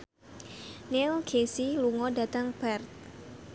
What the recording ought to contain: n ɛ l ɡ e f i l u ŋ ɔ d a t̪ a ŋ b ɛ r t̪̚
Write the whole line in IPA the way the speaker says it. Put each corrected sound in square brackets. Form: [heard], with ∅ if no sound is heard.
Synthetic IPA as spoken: n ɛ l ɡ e [s] i l u ŋ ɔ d a t̪ a ŋ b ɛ r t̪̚